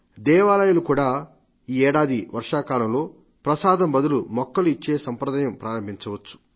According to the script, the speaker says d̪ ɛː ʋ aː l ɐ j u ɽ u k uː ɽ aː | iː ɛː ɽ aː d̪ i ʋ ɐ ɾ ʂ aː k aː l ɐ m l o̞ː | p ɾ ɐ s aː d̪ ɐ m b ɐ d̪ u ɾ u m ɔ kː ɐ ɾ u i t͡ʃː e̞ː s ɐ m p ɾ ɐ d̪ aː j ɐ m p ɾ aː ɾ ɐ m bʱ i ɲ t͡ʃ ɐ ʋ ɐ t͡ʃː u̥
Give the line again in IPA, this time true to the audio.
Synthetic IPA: d̪ ɛː ʋ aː l ɐ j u l u k uː ɽ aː | iː ɛː ɽ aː d̪ i ʋ ɐ ɾ ʂ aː k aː l ɐ m l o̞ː | p ɾ ɐ s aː d̪ ɐ m b ɐ d̪ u l u m ɔ kː ɐ l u i t͡ʃː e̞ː s ɐ m p ɾ ɐ d̪ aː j ɐ m p ɾ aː ɾ ɐ m bʱ i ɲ t͡ʃ ɐ ʋ ɐ t͡ʃː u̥